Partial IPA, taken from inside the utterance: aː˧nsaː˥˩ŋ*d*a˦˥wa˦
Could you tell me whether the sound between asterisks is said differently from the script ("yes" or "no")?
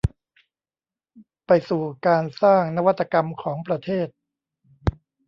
yes